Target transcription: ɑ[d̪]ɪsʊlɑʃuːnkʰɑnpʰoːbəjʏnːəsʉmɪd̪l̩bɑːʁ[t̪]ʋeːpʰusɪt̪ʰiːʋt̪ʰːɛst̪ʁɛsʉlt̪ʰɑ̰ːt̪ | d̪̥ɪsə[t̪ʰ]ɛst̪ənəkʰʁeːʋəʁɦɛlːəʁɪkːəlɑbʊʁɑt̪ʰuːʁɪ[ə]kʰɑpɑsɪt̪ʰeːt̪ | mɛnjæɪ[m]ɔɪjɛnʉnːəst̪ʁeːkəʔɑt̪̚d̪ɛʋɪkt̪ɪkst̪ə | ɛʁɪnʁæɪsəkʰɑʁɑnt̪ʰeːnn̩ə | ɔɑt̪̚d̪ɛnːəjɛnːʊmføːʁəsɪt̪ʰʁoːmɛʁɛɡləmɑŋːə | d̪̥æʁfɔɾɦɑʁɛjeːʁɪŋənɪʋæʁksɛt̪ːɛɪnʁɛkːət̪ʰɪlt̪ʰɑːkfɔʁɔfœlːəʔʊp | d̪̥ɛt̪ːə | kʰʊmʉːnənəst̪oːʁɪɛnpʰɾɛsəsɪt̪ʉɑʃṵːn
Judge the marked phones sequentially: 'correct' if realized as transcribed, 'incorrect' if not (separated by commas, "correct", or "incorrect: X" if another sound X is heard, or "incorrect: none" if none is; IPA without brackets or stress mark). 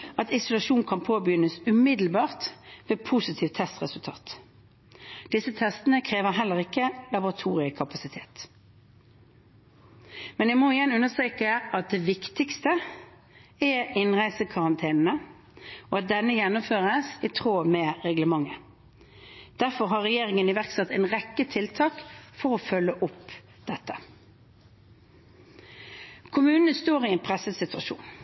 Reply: incorrect: t̪, correct, correct, correct, correct